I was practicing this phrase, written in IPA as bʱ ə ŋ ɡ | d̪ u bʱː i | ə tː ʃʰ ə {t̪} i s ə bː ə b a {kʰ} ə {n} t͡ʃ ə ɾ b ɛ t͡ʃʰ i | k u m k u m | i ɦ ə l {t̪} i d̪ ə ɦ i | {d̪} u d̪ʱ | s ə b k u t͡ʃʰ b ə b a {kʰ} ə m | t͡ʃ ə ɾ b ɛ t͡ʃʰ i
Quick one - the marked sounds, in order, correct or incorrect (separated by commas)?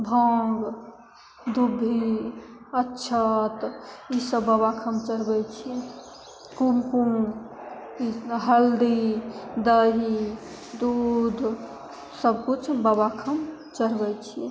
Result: correct, correct, incorrect, incorrect, correct, correct